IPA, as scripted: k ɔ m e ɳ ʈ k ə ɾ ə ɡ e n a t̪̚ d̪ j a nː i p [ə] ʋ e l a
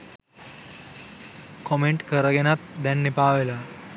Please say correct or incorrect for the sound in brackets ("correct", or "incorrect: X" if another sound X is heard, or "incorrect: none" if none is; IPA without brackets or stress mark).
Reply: incorrect: a